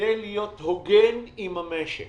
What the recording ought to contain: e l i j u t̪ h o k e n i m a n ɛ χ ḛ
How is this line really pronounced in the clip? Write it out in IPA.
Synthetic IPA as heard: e l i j o t̪ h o ɡ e n i m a m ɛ ʃ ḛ